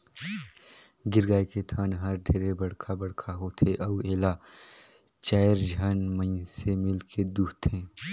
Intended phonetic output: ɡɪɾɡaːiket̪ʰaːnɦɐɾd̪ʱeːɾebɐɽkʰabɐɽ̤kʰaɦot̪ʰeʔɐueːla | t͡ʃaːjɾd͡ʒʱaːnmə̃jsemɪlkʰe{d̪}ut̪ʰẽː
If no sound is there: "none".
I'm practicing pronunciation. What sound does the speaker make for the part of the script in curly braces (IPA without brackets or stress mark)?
d̪